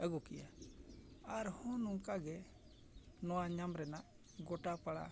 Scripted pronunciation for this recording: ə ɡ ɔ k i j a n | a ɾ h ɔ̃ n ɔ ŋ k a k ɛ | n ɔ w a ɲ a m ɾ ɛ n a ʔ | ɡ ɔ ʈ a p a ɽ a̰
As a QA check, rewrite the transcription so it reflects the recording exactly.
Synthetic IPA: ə ɡ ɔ k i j a | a ɾ h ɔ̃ n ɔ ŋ k a ɡ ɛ | n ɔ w a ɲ a m ɾ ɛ n a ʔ | ɡ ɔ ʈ a p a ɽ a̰